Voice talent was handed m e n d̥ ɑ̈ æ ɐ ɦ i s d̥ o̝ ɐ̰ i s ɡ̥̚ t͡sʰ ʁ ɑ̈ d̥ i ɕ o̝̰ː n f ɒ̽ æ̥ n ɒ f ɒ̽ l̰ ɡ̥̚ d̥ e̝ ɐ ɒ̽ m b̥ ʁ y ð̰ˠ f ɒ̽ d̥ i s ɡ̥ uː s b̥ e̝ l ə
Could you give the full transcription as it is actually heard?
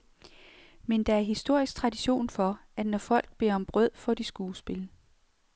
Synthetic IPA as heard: m e n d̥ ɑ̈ æ ɐ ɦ i s d̥ o̝ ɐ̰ i s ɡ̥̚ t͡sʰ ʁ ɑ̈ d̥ i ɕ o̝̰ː n f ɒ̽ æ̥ n ɒ f ɒ̽ l̰ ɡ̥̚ b̥ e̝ ɐ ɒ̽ m b̥ ʁ œ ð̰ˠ f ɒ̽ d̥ i s ɡ̥ uː s b̥ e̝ l ə